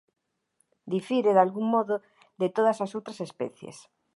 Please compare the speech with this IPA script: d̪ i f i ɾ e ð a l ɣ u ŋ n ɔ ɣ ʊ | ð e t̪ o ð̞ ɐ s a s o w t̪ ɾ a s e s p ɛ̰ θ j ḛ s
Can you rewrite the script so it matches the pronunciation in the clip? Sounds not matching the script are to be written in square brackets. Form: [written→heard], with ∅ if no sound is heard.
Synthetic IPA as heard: d̪ i f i ɾ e ð a l ɣ u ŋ [n→m] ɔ [ɣ→ð] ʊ | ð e t̪ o ð̞ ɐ s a s o w t̪ ɾ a s e s p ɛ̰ θ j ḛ s